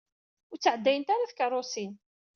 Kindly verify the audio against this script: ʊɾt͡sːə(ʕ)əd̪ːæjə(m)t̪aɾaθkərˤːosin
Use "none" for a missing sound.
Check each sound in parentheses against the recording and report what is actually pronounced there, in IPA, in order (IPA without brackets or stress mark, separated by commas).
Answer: ʕ, n